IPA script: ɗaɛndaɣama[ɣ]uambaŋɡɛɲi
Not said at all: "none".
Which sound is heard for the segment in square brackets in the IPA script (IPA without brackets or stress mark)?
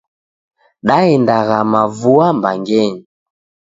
v